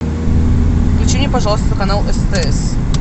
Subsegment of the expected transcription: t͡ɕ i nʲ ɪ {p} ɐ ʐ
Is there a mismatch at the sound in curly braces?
no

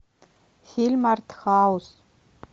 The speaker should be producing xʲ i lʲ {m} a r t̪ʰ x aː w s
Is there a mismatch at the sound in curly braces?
no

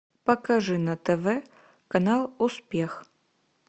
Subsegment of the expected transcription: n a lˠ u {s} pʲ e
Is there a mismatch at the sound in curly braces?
no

